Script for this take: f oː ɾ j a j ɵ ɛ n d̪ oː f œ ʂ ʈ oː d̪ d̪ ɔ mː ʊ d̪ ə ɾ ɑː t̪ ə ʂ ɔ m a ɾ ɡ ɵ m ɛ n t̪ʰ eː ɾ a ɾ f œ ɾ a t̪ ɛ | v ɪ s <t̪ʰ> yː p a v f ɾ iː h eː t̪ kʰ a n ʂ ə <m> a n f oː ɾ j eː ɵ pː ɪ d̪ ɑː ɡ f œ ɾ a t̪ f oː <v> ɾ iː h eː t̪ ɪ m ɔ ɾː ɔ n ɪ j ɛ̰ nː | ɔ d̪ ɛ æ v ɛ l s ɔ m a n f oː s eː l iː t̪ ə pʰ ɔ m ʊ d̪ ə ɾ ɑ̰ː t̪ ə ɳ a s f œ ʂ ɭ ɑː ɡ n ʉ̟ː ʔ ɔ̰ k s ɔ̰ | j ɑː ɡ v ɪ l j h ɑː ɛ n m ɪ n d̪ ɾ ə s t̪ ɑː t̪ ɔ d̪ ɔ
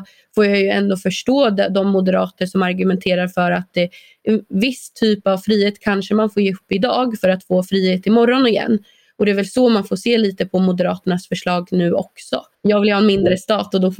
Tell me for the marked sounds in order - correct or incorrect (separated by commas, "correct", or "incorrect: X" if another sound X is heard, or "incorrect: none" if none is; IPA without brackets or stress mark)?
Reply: correct, correct, incorrect: f